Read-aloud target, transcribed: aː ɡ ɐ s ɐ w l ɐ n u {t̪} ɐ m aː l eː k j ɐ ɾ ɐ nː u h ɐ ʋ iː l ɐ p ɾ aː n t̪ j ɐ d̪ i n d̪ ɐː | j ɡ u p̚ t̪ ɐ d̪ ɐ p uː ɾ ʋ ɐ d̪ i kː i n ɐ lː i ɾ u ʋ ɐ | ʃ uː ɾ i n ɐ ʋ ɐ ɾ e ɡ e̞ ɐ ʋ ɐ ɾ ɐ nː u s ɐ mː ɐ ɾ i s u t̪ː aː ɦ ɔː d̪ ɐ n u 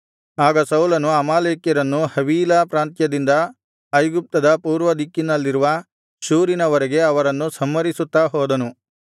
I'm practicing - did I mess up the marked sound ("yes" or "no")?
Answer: yes